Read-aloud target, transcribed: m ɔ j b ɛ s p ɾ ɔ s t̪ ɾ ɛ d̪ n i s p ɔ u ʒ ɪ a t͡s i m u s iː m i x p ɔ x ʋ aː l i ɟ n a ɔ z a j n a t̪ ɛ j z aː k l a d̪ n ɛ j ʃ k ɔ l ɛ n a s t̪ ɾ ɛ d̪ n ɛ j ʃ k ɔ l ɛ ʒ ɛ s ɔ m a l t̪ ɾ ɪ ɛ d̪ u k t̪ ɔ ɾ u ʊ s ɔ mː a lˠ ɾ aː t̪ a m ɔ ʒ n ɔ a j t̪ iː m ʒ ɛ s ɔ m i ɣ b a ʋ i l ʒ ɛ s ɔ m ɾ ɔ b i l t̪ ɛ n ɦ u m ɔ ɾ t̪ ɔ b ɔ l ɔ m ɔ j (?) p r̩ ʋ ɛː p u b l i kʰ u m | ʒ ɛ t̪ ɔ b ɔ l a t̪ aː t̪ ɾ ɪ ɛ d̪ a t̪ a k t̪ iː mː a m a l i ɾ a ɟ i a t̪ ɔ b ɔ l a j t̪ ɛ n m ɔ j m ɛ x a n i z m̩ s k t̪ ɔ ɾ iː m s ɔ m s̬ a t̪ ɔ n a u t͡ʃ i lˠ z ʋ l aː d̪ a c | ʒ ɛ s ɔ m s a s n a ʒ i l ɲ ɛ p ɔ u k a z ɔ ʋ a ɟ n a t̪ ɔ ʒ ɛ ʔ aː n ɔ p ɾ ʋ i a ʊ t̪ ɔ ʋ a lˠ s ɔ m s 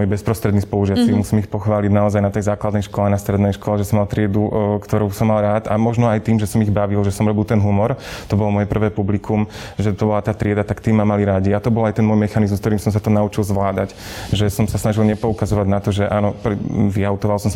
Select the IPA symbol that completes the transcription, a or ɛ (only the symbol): ɛ